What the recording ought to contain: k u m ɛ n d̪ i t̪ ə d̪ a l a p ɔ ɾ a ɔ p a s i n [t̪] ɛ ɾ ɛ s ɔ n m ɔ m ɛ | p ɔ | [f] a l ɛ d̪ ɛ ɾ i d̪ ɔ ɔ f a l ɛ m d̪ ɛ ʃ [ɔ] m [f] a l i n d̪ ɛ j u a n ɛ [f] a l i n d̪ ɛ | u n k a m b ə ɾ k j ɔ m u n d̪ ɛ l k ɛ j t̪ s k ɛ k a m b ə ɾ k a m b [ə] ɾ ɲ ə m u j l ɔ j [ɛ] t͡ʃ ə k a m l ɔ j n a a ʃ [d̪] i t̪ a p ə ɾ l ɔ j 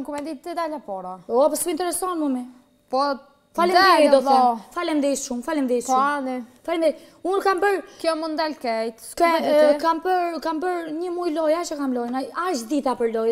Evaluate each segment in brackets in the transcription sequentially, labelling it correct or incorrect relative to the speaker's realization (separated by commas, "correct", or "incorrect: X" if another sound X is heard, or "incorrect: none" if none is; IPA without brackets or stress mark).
correct, correct, incorrect: u, correct, correct, correct, incorrect: a, correct